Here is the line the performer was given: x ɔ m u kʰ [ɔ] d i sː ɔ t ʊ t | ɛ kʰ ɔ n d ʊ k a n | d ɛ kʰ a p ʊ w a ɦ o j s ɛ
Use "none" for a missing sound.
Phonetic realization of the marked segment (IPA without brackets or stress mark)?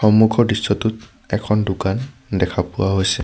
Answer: ɔ